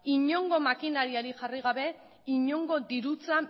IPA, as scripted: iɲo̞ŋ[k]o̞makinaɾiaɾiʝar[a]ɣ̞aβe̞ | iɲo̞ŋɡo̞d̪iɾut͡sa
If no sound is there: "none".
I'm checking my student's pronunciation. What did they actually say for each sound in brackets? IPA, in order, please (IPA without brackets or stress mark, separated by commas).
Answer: ɡ, i